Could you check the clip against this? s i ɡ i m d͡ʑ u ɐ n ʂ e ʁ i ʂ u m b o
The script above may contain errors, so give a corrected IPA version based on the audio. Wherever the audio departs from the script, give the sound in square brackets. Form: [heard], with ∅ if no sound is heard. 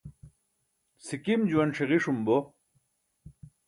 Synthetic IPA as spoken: s i [k] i m d͡ʑ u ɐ n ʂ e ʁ i ʂ u m b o